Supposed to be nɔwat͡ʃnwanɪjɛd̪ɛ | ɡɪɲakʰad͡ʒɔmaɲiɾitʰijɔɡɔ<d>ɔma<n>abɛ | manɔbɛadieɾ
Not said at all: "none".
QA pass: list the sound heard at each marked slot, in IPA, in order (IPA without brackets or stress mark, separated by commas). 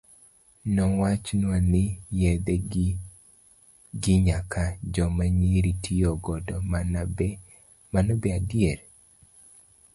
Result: d, n